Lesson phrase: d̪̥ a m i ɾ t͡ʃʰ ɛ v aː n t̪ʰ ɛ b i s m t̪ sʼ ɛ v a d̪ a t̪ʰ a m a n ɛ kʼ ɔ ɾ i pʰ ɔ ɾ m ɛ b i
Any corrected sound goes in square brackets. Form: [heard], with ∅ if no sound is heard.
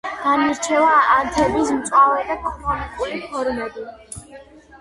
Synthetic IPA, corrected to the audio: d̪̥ a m i ɾ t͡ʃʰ ɛ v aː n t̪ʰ ɛ b i s m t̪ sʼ [a] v [ɛ] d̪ a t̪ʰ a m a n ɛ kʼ [u] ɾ i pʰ ɔ ɾ m ɛ b i